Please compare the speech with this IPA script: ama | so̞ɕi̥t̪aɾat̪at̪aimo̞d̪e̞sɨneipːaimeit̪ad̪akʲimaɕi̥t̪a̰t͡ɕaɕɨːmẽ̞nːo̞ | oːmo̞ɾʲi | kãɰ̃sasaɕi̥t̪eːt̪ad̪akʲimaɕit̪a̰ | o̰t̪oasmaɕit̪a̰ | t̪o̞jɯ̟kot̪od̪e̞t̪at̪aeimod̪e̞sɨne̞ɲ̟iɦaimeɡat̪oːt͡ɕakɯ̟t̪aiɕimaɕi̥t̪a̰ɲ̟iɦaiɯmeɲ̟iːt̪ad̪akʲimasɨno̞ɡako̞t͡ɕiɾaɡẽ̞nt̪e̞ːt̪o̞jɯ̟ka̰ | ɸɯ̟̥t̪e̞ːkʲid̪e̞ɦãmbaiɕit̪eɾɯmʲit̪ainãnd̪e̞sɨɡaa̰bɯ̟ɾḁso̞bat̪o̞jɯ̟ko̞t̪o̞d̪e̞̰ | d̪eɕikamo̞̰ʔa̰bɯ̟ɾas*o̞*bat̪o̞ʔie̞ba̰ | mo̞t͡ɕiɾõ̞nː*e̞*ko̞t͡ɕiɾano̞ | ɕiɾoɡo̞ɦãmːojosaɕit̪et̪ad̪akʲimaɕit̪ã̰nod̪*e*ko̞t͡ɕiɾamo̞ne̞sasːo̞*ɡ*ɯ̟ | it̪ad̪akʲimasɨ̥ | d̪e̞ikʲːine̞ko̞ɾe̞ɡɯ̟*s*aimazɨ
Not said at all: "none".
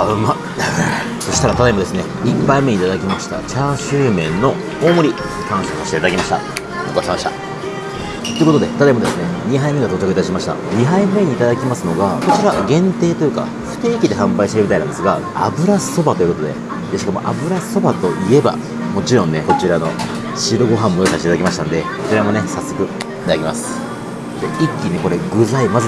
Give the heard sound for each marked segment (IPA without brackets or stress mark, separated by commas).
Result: o̞, e̞, e, k, z